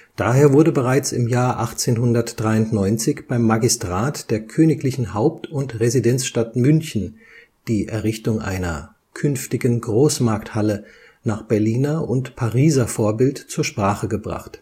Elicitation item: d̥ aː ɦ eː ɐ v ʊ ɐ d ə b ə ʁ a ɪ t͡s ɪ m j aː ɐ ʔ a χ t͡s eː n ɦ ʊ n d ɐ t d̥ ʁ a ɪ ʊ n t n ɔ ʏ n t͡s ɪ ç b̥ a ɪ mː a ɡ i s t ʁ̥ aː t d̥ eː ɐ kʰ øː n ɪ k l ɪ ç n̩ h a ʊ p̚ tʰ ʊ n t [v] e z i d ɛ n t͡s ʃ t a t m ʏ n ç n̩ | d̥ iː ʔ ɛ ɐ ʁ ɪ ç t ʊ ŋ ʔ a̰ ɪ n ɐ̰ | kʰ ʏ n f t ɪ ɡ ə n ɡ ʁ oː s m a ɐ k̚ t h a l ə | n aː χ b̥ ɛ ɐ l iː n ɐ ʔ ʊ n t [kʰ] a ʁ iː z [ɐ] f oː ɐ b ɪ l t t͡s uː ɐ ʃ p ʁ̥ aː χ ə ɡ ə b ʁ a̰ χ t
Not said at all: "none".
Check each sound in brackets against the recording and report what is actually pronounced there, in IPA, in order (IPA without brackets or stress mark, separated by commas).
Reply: ʁ, pʰ, ɐ